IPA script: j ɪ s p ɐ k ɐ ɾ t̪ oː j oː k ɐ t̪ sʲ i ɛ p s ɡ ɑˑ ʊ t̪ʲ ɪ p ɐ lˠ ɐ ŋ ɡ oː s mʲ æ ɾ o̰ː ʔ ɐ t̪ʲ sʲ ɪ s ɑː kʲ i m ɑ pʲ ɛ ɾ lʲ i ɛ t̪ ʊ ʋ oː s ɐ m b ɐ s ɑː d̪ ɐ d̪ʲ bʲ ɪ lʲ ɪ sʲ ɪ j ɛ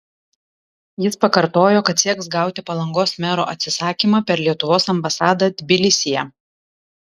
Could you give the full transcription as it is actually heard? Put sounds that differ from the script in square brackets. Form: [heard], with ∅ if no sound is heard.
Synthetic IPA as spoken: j ɪ s p ɐ k ɐ ɾ t̪ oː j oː k ɐ t̪ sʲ i ɛ [k] s ɡ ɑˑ ʊ t̪ʲ ɪ p ɐ lˠ ɐ ŋ ɡ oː s mʲ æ ɾ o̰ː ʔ ɐ t̪ʲ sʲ ɪ s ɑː kʲ i m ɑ pʲ ɛ ɾ lʲ i ɛ t̪ ʊ ʋ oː s ɐ m b ɐ s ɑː d̪ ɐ d̪ʲ bʲ ɪ lʲ ɪ sʲ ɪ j ɛ